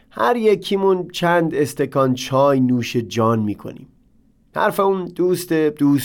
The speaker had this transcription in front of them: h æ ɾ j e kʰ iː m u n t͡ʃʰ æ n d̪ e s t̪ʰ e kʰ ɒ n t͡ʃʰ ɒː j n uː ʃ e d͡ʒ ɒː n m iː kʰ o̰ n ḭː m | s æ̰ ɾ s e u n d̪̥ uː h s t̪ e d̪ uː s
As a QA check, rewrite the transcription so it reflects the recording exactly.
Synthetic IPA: h æ ɾ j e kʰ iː m u n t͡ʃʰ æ n d̪ e s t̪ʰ e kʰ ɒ n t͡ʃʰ ɒː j n uː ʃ e d͡ʒ ɒː n m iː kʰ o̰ n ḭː m | h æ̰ ɾ f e u n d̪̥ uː s t̪ e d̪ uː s